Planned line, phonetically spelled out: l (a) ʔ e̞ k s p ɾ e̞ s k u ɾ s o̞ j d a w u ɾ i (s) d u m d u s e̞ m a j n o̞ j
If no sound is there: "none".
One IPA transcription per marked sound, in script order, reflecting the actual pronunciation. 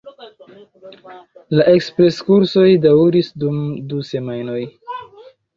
a, s

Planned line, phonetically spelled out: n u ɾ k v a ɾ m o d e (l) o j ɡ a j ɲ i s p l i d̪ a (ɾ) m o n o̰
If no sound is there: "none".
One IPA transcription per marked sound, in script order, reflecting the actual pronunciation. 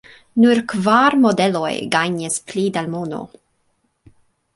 l, l

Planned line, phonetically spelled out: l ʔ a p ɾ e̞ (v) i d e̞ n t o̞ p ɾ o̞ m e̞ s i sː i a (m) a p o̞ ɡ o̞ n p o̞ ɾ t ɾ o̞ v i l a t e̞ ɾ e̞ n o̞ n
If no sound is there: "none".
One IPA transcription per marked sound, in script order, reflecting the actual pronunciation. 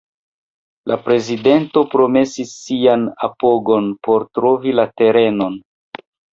z, n

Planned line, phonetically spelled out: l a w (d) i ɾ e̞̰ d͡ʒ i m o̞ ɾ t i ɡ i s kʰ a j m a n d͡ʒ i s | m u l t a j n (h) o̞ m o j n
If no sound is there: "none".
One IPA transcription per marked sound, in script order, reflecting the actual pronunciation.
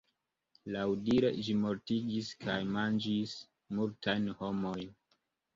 d, h

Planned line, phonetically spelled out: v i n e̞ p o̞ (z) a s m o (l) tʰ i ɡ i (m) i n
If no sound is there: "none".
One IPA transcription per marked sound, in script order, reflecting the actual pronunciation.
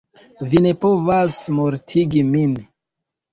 v, ɾ, m

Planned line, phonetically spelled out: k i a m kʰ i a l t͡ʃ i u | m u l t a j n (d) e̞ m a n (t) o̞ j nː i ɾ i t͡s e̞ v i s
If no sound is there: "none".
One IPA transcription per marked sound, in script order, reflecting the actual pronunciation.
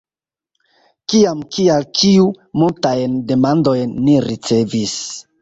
d, d

